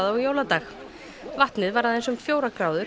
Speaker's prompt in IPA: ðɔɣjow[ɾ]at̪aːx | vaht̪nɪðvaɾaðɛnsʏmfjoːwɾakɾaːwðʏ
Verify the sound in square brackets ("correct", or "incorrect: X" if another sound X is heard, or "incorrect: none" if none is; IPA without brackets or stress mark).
incorrect: l